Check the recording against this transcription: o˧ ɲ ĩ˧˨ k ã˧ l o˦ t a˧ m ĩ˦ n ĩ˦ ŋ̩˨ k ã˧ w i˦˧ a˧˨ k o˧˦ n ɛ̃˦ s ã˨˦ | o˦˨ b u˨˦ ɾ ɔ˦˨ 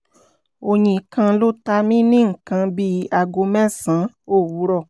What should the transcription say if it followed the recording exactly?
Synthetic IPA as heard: o˧ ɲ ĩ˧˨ k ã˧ l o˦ t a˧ m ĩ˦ n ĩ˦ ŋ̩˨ k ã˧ b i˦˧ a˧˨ ɡ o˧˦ m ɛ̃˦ s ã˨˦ | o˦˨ w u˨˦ ɾ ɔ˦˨